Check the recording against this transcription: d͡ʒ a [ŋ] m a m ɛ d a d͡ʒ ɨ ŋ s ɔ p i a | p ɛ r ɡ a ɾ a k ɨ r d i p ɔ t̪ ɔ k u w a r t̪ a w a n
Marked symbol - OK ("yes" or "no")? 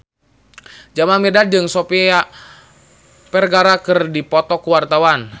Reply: no